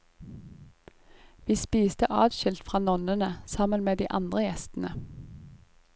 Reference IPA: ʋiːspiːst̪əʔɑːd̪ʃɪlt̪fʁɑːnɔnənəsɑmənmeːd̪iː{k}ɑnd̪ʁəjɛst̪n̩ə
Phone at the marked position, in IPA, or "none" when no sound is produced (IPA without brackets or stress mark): ʔ